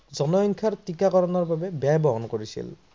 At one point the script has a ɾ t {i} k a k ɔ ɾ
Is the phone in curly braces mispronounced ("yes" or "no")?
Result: no